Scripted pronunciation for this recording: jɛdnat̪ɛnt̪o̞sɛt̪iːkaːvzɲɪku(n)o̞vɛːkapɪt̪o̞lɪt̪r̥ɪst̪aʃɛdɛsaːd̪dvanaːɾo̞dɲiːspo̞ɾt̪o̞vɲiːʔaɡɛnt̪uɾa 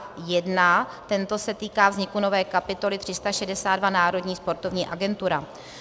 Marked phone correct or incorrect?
correct